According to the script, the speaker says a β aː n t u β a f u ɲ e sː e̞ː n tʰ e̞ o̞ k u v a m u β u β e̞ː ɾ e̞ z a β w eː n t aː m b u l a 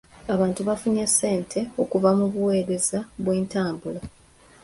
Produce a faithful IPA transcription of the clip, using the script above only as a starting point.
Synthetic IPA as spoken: a β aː n t u β a f u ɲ e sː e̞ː n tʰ e̞ o̞ k u v a m u β u w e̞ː ɾ e̞ z a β w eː n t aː m b u l a